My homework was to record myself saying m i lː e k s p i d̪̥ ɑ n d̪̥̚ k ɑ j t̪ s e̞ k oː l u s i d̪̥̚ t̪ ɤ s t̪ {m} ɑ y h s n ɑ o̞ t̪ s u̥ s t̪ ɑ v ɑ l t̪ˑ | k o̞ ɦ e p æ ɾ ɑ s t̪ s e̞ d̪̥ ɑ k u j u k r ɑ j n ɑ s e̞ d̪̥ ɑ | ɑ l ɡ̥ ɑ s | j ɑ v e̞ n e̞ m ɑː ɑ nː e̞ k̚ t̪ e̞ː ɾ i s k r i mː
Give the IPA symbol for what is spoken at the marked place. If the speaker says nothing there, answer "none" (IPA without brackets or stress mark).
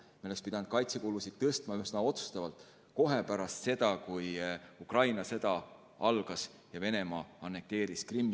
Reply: m